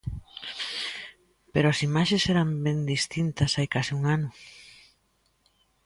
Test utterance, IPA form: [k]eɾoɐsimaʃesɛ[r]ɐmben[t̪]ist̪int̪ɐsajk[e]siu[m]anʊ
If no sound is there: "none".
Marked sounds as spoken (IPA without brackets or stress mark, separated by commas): p, ɾ, d̪, a, ŋ